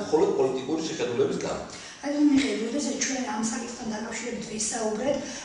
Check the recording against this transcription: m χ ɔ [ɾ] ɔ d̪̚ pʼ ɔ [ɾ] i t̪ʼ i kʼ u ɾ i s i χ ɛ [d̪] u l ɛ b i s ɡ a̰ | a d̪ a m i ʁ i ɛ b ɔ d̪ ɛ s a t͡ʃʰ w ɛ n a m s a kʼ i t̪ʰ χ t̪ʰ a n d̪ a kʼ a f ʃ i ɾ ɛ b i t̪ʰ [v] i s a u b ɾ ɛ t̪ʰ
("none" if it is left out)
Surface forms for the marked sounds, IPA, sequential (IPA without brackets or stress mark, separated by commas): l, l, d̪, v